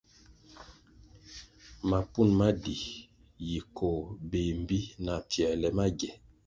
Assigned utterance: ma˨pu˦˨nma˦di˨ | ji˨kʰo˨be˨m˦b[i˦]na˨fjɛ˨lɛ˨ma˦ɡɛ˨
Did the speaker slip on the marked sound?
no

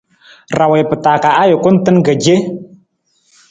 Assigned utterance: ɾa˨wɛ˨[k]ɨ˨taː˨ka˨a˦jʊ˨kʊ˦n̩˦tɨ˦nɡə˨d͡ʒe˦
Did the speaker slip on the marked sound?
yes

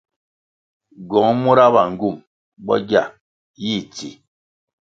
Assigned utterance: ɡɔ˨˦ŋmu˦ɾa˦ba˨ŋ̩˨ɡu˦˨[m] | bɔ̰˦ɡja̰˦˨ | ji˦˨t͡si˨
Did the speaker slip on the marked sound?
no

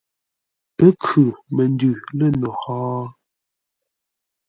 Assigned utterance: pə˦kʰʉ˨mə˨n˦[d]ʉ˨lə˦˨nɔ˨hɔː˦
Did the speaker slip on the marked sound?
no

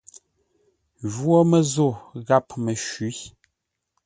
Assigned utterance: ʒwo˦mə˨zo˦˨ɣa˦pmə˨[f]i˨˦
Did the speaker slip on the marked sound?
yes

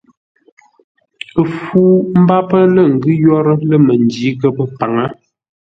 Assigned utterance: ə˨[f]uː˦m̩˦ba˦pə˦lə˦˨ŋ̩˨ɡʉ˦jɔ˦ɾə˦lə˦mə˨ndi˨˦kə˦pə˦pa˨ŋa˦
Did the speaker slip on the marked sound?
no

